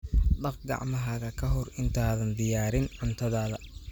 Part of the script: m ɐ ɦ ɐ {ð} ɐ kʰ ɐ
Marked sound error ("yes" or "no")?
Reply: yes